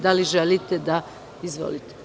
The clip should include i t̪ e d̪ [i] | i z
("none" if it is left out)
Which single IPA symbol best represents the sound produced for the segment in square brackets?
a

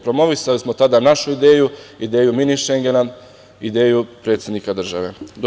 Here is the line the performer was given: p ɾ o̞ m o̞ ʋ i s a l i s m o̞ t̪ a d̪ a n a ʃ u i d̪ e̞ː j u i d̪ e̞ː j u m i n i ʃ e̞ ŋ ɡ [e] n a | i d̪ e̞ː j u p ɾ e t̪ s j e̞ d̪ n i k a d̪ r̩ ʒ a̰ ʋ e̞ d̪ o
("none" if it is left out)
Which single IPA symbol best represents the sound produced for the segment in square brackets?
e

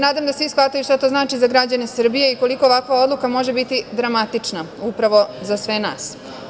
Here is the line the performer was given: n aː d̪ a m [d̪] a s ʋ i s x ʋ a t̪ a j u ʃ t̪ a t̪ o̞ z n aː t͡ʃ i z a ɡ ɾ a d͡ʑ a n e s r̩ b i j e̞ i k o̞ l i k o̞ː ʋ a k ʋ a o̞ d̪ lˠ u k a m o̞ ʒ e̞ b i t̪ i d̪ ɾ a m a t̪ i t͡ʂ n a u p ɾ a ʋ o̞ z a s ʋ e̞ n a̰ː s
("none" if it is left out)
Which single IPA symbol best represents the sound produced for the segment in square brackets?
d̪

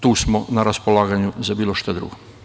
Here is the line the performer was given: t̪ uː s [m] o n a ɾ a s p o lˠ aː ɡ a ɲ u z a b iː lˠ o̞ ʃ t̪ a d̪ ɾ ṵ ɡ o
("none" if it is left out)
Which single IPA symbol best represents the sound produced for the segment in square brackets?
m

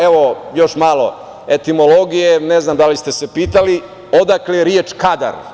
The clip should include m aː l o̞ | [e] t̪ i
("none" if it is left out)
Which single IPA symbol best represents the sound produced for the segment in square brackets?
e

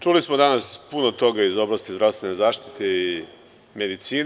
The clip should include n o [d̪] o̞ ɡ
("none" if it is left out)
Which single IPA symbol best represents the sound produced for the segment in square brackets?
t̪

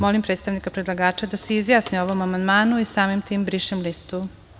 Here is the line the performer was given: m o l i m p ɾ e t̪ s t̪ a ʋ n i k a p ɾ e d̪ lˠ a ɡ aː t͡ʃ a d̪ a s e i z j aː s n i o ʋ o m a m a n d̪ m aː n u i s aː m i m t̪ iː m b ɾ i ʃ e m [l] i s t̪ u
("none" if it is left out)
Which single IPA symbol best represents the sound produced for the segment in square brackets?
l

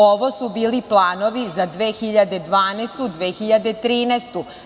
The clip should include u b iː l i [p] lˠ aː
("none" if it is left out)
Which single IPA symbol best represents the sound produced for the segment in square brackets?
p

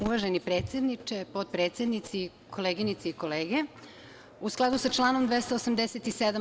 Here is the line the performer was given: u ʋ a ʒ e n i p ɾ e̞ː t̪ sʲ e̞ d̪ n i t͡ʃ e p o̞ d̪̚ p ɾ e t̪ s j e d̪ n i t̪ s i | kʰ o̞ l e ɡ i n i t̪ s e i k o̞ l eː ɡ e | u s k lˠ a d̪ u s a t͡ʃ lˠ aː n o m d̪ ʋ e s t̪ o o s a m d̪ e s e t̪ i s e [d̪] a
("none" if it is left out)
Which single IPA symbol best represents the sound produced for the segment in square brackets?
d̪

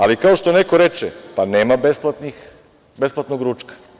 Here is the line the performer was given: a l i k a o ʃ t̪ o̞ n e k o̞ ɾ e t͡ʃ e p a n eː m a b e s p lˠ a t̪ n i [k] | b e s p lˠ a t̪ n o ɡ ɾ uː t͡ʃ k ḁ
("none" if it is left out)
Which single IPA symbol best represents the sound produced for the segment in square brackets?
x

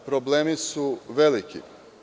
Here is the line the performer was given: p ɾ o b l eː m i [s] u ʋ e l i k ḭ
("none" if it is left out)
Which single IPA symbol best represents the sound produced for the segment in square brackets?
s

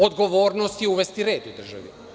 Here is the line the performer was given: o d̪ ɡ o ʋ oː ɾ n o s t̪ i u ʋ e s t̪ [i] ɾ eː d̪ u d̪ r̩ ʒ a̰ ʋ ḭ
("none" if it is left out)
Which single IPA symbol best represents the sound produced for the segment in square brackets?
i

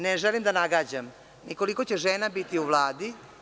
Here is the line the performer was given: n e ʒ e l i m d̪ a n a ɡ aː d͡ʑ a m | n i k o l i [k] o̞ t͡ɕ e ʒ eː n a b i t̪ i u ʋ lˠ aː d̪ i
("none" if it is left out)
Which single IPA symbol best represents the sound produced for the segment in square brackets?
k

